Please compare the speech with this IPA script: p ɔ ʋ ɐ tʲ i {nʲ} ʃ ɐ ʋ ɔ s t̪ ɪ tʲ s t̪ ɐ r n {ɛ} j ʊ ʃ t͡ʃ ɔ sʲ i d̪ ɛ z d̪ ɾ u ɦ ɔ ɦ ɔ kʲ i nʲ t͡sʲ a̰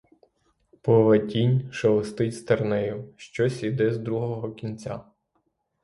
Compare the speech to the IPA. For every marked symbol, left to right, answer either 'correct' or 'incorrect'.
correct, correct

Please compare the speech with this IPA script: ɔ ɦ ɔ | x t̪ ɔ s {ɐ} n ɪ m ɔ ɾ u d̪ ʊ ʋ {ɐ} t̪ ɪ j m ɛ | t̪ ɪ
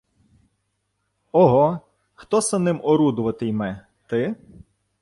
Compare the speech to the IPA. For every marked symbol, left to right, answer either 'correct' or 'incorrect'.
correct, correct

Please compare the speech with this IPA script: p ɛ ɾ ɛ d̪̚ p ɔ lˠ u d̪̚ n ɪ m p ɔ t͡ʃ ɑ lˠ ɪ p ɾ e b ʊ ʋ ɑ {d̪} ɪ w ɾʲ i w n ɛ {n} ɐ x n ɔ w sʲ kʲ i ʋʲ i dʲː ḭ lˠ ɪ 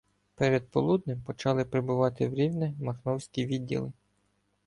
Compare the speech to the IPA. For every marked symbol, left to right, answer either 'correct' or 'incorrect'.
incorrect, incorrect

